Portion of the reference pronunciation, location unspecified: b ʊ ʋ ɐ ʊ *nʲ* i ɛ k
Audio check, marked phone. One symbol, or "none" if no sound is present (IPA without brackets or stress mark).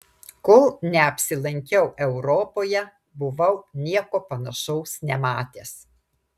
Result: nʲ